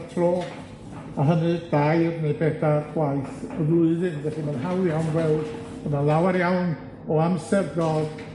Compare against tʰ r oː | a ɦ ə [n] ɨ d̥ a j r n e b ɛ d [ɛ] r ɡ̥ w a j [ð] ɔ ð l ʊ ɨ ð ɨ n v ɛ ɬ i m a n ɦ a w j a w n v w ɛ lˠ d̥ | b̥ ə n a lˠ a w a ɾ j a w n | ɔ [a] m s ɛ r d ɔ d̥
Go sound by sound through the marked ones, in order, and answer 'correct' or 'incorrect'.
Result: correct, incorrect: a, incorrect: θ, correct

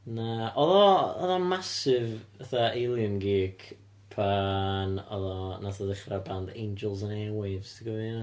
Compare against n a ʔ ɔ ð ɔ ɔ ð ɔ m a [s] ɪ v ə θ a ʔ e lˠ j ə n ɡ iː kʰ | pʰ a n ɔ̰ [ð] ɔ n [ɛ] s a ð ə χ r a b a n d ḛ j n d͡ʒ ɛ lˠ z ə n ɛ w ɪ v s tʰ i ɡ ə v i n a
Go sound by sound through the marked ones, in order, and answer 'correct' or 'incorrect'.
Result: correct, correct, incorrect: a

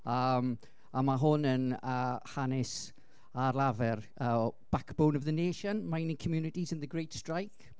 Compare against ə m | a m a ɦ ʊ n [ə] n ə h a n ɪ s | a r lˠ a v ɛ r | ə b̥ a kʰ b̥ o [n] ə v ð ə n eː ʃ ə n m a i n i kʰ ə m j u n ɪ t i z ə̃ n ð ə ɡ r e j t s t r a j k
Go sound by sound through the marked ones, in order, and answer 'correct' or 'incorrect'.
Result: correct, correct

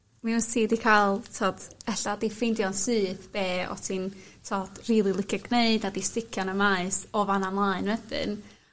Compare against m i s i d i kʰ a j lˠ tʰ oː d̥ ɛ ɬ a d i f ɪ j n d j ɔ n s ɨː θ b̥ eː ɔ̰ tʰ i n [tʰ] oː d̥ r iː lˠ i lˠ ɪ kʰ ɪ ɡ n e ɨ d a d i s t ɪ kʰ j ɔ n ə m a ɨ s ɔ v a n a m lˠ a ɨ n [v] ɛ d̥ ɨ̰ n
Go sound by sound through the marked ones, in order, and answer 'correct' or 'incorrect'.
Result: correct, incorrect: w

